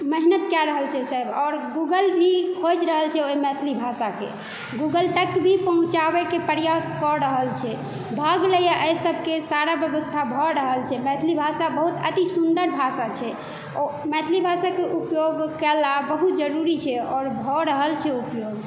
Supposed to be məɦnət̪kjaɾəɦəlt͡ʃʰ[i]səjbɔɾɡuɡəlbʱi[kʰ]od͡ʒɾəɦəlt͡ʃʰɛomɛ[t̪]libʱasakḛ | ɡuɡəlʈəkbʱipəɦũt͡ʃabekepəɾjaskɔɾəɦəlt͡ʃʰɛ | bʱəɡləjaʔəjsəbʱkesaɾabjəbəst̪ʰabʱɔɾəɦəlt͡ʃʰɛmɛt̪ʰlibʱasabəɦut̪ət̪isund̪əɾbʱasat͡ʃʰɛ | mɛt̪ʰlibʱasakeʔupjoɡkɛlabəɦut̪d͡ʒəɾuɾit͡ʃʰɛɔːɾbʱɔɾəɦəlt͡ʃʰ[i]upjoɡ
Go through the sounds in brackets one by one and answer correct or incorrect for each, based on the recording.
incorrect: ɛ, correct, incorrect: t̪ʰ, incorrect: ɛ

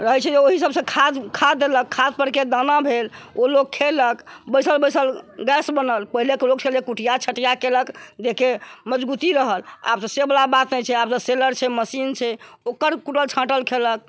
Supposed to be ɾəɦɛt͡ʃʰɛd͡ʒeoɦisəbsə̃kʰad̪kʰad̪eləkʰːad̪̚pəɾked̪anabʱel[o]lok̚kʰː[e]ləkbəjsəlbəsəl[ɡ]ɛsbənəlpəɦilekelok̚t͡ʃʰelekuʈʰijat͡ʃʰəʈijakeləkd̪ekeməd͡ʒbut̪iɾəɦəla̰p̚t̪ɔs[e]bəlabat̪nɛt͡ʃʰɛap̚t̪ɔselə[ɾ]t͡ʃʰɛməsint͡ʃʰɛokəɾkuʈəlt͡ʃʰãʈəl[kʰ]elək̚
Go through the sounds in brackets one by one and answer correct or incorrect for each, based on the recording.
correct, correct, correct, correct, correct, correct

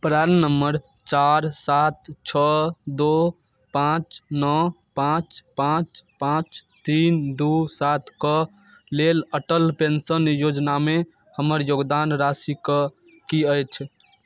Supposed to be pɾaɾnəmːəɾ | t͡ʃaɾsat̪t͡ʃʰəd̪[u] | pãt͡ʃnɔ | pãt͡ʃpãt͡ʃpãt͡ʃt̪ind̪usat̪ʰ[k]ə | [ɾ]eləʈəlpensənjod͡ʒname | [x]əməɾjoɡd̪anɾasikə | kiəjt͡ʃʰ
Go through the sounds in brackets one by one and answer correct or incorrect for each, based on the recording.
incorrect: o, correct, incorrect: l, incorrect: h

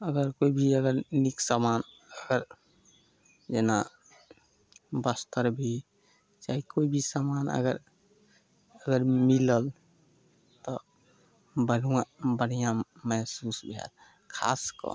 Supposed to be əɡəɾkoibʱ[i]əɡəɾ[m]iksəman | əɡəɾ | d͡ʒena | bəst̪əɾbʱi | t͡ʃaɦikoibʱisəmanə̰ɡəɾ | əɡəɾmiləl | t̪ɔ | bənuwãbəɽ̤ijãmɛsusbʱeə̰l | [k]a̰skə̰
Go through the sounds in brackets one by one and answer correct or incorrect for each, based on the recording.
correct, incorrect: n, incorrect: kʰ

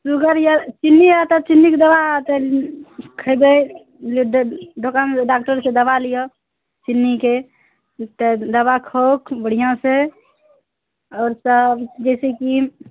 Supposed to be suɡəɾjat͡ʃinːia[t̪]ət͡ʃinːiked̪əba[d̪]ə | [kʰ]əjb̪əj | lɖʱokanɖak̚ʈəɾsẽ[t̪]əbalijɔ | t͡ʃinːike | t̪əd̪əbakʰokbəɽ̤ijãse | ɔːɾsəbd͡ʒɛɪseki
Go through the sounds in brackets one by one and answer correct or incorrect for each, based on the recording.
correct, incorrect: t̪, correct, incorrect: d̪

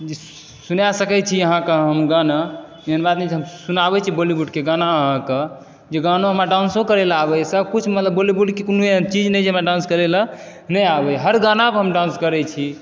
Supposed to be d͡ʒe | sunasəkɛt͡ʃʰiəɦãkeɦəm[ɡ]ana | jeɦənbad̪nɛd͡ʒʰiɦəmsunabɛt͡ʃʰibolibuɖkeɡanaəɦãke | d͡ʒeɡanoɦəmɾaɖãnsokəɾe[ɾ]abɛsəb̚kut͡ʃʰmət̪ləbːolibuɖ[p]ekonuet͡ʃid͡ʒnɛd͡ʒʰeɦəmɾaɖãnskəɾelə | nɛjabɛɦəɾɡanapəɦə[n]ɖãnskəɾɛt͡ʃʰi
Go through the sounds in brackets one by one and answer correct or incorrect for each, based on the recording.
correct, incorrect: l, incorrect: k, incorrect: m

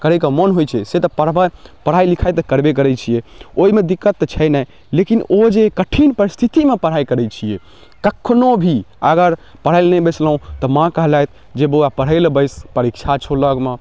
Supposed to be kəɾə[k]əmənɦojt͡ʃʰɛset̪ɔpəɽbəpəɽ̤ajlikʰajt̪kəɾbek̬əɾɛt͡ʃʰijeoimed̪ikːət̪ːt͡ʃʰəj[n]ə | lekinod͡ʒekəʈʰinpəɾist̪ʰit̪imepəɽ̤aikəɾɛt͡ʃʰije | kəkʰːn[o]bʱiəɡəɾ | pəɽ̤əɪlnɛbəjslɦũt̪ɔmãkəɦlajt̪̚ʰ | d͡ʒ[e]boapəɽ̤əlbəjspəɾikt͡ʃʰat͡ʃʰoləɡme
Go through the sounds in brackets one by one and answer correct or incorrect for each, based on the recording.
correct, correct, correct, correct

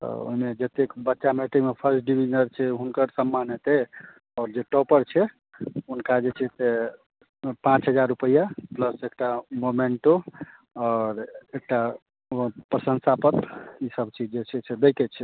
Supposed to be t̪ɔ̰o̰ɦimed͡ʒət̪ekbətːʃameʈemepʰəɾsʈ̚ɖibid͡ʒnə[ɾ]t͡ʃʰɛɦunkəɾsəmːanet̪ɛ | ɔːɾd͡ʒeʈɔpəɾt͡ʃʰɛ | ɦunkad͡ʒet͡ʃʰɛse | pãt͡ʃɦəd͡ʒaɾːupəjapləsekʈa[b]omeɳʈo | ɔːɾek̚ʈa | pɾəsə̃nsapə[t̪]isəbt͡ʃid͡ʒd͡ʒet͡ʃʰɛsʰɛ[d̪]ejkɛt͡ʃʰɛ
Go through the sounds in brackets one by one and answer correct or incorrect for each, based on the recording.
correct, incorrect: m, correct, correct

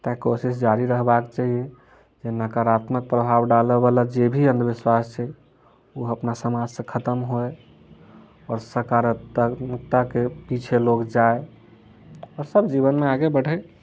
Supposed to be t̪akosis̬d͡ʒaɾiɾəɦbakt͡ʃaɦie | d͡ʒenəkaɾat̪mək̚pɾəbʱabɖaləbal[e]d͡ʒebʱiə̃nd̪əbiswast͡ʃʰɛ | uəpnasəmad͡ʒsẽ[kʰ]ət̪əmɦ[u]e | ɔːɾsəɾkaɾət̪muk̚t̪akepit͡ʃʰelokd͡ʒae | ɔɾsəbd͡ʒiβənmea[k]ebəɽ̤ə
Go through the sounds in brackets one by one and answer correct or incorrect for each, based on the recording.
incorrect: a, correct, incorrect: o, incorrect: ɡ

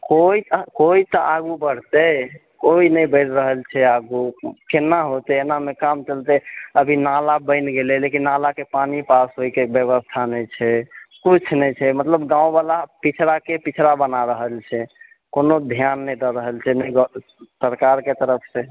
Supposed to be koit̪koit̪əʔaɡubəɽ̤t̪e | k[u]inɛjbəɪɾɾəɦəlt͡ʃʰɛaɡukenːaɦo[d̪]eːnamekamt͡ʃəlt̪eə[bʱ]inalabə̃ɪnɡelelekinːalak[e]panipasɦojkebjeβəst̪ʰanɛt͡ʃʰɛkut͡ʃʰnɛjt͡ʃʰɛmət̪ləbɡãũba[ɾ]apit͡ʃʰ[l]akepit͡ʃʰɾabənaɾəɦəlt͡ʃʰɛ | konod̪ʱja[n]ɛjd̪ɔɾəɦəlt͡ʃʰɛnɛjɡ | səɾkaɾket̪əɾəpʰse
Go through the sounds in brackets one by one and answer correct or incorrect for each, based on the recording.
incorrect: o, incorrect: t̪, correct, correct, incorrect: l, incorrect: ɾ, incorrect: nː

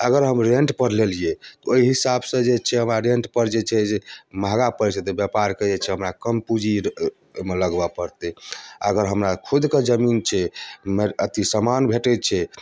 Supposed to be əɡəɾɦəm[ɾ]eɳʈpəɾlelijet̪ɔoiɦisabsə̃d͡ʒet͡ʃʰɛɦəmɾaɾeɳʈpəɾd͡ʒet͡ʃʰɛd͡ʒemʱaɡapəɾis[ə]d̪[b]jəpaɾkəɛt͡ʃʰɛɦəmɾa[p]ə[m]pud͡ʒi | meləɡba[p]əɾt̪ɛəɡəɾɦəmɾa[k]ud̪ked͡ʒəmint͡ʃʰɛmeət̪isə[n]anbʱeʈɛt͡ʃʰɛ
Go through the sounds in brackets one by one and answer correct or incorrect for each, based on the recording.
correct, correct, correct, incorrect: k, correct, correct, incorrect: kʰ, incorrect: m

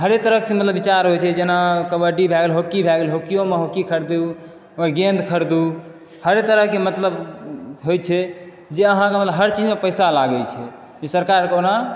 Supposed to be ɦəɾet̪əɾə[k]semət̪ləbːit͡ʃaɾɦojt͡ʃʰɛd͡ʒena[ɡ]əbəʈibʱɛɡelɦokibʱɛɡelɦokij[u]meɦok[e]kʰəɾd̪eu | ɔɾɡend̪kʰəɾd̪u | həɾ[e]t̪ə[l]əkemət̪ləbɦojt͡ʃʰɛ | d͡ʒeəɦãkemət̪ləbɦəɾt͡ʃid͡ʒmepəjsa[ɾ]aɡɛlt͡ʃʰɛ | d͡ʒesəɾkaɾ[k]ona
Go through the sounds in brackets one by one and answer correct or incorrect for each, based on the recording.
correct, incorrect: k, incorrect: o, incorrect: i, correct, incorrect: ɾ, incorrect: l, correct

